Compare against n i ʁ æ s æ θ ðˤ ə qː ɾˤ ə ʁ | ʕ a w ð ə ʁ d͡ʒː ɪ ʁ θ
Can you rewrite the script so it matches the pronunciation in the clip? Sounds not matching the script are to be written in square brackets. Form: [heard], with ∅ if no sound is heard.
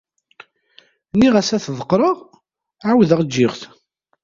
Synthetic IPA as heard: n i ʁ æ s æ θ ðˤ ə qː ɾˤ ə ʁ | ʕ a w ð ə ʁ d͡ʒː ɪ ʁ θ